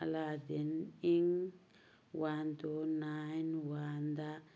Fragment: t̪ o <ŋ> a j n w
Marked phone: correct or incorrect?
incorrect